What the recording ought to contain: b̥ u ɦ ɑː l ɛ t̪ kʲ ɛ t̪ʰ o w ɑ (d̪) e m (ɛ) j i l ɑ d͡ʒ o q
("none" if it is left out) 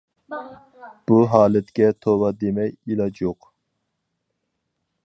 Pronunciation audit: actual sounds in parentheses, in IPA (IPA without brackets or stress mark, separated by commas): d̪, ɛ